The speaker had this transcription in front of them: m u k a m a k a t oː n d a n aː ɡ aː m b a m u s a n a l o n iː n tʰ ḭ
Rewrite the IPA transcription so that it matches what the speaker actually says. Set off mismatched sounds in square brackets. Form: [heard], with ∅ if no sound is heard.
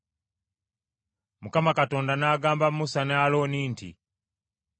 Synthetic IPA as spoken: m u k a m a k a t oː n d a n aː ɡ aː m b a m u s a n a l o n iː n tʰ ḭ